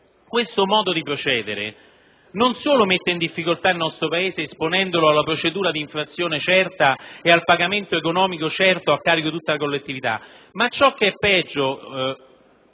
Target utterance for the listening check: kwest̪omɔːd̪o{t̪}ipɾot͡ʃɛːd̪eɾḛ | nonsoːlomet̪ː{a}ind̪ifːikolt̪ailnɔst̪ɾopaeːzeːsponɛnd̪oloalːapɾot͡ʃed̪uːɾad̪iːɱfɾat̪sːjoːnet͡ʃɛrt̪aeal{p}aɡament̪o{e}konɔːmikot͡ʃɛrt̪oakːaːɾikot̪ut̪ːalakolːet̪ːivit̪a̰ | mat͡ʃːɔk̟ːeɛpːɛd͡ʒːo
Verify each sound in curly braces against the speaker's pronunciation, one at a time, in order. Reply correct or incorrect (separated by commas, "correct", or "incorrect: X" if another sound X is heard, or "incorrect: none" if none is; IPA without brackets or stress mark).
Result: incorrect: d̪, incorrect: e, correct, correct